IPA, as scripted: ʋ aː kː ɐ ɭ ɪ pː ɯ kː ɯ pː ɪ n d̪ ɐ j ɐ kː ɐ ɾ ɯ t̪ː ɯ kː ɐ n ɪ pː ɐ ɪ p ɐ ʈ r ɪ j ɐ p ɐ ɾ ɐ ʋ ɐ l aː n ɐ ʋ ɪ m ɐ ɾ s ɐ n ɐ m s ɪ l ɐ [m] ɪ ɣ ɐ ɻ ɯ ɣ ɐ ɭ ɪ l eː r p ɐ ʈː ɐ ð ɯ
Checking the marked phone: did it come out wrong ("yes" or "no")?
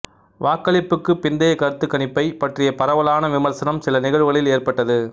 yes